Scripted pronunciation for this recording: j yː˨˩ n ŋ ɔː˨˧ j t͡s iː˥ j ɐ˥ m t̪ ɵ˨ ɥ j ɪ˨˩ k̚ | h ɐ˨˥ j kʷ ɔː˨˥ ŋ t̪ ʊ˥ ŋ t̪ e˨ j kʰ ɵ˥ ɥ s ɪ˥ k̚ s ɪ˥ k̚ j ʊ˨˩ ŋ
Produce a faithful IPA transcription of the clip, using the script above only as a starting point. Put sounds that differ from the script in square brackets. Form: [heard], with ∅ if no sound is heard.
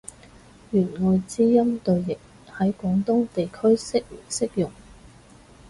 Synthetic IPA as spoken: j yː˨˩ n ŋ ɔː˨˧ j t͡s iː˥ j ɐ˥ m t̪ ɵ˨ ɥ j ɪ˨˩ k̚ | h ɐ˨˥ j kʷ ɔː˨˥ ŋ t̪ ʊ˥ ŋ t̪ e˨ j kʰ ɵ˥ ɥ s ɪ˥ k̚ s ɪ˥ k̚ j ʊ˨˩ ŋ